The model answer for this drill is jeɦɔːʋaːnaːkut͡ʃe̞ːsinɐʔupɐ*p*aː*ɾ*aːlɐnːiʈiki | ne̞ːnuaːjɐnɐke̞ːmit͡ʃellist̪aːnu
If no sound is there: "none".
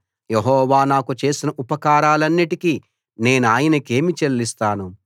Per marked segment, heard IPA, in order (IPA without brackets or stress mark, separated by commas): k, ɾ